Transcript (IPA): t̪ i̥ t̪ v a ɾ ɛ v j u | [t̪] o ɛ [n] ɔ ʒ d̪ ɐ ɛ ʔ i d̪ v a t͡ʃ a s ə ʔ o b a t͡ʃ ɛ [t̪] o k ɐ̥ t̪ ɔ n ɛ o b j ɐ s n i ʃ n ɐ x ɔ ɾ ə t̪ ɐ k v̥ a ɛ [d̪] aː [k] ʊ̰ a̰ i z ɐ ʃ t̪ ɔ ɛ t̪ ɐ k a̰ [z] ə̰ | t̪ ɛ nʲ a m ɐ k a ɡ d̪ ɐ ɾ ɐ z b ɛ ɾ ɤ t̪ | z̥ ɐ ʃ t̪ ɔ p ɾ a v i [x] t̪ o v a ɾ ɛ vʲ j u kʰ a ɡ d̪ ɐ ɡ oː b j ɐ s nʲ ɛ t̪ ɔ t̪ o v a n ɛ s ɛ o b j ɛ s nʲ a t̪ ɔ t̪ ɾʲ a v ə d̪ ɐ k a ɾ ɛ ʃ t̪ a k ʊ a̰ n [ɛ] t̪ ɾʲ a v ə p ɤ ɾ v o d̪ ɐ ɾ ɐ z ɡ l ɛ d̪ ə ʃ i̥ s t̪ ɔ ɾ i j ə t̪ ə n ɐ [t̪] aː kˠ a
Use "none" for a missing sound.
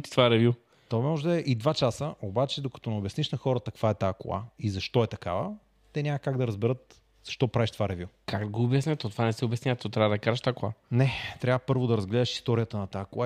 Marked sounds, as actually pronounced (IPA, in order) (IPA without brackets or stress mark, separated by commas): t̪, m, d̪, t̪, k, v, ʃ, ɛ, t̪